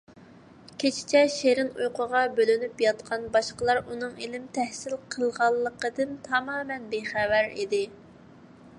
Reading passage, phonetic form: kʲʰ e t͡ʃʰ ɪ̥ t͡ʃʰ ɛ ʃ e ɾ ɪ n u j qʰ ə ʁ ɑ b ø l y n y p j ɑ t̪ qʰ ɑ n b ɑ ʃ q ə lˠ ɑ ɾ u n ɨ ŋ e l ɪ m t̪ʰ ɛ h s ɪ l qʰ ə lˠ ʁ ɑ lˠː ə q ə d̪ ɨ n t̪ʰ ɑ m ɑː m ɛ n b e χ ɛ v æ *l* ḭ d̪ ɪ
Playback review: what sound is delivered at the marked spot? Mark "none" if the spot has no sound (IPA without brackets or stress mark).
ɾ